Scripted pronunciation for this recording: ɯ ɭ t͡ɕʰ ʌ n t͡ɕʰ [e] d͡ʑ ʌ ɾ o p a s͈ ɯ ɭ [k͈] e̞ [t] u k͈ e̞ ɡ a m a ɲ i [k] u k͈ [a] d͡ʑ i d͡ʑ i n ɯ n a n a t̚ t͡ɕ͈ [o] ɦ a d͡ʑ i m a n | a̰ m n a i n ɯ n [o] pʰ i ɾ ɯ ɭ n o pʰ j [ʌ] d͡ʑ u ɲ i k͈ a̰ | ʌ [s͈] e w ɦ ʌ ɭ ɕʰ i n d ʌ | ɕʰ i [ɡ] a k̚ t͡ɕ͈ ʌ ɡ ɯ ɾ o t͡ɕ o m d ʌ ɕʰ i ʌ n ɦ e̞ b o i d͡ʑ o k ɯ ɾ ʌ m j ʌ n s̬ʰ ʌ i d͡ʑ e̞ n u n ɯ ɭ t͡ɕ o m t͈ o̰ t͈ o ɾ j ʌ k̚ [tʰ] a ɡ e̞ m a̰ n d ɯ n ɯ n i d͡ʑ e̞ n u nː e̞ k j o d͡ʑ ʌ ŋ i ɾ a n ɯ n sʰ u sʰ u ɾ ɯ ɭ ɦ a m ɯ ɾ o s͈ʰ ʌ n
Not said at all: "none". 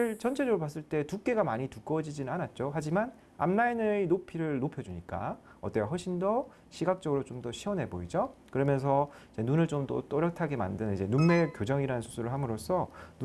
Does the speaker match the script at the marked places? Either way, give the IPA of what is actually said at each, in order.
e, t͈, t, t, ʌ, o, o, ʌ, t͈, ɡ, tʰ

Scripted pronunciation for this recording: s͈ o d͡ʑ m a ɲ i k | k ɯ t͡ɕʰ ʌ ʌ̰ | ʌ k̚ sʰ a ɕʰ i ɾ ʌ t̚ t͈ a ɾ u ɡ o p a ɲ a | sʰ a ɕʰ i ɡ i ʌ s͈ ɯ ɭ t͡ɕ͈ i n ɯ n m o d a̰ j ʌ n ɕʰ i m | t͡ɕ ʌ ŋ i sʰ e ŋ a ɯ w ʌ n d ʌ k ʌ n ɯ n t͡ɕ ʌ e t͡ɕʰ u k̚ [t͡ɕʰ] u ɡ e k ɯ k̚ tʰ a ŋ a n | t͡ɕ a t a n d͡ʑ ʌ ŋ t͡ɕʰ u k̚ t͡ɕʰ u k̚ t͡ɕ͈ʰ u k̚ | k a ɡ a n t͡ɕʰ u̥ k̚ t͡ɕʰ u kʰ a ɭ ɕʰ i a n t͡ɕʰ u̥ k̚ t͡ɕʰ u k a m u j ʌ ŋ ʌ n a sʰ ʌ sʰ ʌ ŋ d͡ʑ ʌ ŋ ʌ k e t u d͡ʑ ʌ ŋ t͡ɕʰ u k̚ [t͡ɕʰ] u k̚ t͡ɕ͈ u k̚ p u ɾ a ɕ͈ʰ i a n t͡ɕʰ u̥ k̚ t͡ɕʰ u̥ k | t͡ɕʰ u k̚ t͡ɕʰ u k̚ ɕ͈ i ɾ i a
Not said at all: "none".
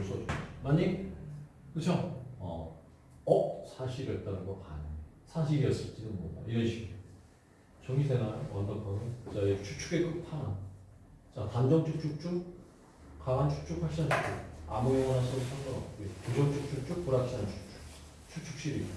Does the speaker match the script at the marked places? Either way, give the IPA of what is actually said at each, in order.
t͡ɕʰ, t͡ɕʰ

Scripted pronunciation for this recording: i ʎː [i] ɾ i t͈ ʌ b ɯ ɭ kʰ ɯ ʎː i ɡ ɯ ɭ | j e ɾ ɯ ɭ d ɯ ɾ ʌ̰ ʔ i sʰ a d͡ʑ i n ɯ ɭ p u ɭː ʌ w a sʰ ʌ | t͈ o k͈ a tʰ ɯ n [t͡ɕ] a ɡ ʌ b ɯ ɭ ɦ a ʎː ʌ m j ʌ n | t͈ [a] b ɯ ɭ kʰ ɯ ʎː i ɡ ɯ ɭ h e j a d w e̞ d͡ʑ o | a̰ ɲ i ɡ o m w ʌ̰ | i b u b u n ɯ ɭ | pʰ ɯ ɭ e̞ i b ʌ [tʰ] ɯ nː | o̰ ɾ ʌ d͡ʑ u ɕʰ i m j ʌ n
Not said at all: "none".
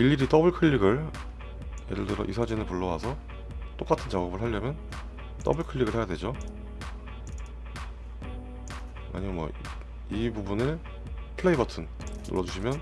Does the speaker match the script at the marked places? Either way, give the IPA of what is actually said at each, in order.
i, t͡ɕ, ʌ, tʰ

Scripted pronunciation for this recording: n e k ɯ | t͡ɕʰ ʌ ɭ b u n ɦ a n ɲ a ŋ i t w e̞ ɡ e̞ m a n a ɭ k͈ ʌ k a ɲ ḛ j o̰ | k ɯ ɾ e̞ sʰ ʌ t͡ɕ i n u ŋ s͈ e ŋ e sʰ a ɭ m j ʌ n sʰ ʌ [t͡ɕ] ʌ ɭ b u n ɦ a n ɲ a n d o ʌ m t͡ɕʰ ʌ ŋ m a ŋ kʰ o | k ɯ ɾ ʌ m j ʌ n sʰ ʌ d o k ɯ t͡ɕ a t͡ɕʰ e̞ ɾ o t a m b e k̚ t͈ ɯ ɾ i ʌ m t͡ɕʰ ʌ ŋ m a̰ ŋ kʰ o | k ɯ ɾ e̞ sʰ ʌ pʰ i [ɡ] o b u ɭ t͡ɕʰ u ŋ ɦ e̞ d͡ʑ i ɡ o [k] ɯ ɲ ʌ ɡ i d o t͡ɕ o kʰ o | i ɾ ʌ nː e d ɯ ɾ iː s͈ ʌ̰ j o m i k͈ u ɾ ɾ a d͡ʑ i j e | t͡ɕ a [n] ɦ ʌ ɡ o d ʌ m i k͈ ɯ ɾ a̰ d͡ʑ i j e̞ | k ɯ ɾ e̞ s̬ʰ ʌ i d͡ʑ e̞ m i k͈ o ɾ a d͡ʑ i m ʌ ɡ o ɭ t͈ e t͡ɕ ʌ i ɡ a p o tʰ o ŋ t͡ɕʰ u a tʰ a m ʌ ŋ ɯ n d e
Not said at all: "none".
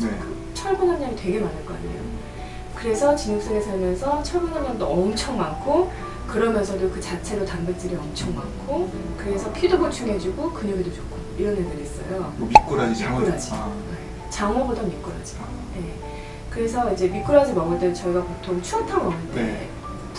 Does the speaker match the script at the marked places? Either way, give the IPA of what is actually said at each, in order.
t͡ɕʰ, d, k, ŋ

